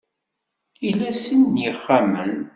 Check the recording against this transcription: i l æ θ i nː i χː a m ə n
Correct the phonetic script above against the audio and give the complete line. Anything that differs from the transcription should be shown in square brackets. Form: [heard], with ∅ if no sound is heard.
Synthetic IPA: i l æ [s] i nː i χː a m ə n